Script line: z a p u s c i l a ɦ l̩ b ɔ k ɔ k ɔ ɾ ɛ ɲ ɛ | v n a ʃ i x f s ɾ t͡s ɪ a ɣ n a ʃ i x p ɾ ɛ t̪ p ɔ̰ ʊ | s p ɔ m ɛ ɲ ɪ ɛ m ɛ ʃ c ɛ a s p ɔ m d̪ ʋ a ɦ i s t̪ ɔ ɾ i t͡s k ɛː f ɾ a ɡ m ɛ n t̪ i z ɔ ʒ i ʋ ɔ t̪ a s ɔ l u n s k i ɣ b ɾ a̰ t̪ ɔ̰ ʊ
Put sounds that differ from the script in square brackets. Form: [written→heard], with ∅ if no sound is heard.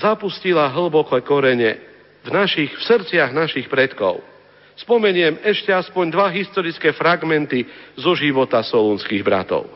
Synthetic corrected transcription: z a p u s c i l a ɦ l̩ b ɔ k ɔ k ɔ ɾ ɛ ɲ ɛ | v n a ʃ i x f s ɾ t͡s ɪ a ɣ n a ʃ i x p ɾ ɛ t̪ [p→k] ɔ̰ ʊ | s p ɔ m ɛ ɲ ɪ ɛ m ɛ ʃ c ɛ a s p ɔ [m→ɲ] d̪ ʋ a ɦ i s t̪ ɔ ɾ i t͡s k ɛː f ɾ a ɡ m ɛ n t̪ i z ɔ ʒ i ʋ ɔ t̪ a s ɔ l u n s k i ɣ b ɾ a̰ t̪ ɔ̰ ʊ